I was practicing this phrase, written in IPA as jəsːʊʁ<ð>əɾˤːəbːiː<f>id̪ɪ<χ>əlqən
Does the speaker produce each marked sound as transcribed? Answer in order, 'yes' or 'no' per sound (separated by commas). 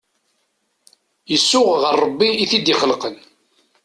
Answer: no, no, yes